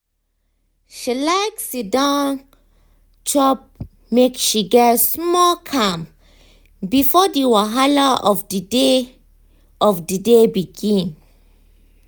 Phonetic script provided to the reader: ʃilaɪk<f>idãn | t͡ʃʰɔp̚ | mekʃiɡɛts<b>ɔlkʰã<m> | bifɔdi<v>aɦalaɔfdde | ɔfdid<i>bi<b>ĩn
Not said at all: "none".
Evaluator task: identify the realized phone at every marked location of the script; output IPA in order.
s, m, m, w, e, ɡ

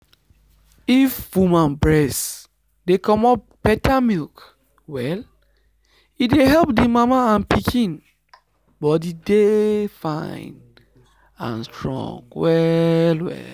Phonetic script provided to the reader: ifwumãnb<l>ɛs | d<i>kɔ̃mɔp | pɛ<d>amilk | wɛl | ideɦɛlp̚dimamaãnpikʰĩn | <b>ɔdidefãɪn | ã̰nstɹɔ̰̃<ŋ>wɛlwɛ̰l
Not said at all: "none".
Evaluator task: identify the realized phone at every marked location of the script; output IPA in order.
ɹ, e, t, b, ŋ

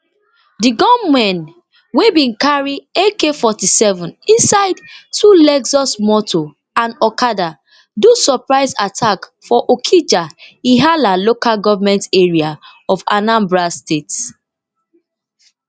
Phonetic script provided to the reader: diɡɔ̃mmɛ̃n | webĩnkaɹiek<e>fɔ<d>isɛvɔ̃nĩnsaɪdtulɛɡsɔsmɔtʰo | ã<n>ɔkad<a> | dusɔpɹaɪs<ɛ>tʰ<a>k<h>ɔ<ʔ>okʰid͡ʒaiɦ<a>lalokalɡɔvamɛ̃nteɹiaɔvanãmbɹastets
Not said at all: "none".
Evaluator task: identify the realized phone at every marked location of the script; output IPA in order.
e, t, n, a, a, a, f, ʔ, a

